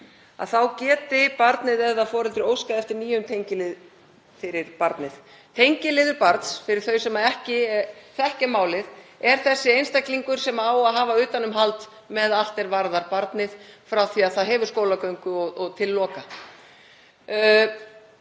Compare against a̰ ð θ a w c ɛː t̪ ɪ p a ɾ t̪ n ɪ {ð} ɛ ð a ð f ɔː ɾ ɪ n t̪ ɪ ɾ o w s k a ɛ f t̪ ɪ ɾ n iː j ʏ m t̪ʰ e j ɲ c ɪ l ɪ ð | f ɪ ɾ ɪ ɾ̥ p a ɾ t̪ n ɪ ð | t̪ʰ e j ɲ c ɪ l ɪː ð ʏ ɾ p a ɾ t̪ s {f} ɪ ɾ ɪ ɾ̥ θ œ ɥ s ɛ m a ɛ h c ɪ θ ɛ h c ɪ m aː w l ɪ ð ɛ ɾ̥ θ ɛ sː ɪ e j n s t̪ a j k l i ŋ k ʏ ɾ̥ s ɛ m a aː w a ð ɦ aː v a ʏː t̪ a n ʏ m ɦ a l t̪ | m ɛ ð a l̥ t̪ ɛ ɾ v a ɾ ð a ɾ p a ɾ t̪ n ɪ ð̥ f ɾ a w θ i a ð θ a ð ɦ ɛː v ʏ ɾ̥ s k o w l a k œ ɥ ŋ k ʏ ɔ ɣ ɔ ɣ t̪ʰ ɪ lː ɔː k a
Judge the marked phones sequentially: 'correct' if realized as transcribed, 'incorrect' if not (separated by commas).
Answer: correct, correct